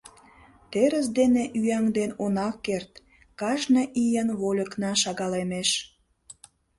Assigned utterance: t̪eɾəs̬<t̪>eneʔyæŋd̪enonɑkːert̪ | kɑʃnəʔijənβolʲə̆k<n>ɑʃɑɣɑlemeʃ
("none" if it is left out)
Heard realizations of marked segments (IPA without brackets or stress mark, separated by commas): d̪, n